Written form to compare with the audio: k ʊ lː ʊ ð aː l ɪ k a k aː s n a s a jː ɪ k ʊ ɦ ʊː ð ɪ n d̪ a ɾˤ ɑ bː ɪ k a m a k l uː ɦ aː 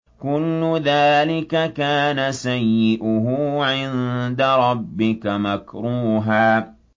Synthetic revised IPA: k ʊ lː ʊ ð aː l ɪ k a k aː n a s a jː ɪ ʔ ʊ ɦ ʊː ʕ ɪ n d̪ a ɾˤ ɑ bː ɪ k a m a k ɾ uː ɦ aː